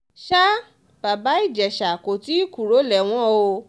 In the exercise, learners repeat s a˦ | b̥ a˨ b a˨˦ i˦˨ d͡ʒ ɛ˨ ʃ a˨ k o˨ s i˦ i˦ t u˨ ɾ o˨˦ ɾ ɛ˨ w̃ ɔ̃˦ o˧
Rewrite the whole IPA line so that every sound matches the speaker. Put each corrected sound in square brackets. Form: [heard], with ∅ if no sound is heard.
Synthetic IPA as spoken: [ʃ] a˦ | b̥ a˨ b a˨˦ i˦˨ d͡ʒ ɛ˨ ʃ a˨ k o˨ [t] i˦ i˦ [k] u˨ ɾ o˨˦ [l] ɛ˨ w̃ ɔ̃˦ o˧